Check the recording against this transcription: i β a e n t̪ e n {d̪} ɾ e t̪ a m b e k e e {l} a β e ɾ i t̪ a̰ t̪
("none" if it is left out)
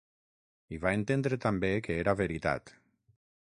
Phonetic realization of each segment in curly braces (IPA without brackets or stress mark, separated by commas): d̪, ɾ